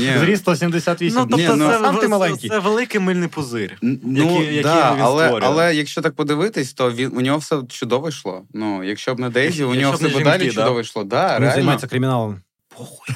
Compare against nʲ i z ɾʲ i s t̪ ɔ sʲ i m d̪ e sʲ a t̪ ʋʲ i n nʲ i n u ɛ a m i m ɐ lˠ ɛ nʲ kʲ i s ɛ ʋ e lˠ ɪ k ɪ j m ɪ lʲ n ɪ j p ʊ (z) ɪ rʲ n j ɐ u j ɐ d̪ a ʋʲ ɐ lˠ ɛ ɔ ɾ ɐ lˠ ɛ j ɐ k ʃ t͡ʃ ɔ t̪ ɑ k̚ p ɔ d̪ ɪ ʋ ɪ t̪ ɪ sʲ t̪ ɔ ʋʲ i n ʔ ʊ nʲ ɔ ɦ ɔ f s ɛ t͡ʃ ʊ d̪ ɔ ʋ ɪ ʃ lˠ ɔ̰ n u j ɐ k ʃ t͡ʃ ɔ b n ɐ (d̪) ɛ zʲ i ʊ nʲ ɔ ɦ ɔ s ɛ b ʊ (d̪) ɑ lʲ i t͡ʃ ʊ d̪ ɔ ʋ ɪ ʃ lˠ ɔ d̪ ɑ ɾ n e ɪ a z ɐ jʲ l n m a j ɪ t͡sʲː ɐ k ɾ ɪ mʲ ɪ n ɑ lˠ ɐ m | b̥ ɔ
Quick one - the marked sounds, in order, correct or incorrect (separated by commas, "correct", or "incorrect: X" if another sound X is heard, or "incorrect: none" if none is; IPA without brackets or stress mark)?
correct, correct, correct